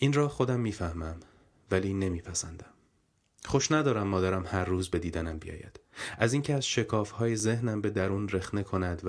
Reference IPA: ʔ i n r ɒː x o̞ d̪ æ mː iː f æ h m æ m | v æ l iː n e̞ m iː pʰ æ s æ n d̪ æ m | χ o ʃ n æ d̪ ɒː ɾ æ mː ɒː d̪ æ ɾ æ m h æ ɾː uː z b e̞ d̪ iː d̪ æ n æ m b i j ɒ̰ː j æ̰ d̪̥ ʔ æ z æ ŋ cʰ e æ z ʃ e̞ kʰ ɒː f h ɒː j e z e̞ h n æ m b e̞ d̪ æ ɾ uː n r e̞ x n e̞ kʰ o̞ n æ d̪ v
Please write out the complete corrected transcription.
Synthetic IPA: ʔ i n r ɒː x o̞ d̪ æ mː iː f æ h m æ m | v æ l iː n e̞ m iː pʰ æ s æ n d̪ æ m | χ o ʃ n æ d̪ ɒː ɾ æ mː ɒː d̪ æ ɾ æ m h æ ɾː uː z b e̞ d̪ iː d̪ æ n æ m b i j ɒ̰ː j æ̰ d̪̥ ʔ æ z i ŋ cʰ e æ z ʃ e̞ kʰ ɒː f h ɒː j e z e̞ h n æ m b e̞ d̪ æ ɾ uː n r e̞ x n e̞ kʰ o̞ n æ d̪ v